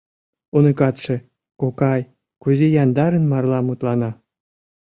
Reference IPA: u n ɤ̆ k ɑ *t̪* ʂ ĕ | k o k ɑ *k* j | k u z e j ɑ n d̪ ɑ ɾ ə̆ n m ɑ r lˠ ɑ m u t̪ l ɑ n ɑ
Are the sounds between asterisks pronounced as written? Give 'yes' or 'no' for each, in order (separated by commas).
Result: yes, no